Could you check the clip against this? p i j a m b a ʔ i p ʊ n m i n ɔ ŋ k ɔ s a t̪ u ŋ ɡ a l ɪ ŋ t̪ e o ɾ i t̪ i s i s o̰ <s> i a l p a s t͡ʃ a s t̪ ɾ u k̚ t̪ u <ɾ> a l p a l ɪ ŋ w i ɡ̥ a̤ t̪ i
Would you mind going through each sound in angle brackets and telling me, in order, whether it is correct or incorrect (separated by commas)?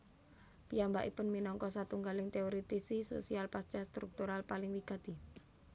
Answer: correct, correct